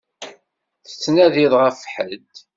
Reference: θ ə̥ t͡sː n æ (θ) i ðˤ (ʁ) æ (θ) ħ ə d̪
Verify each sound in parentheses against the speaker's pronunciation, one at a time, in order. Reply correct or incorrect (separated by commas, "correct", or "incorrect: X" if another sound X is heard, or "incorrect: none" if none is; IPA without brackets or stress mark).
incorrect: ð, correct, incorrect: f